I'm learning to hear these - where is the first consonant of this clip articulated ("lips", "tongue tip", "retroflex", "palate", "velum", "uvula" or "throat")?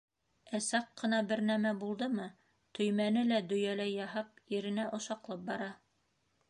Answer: tongue tip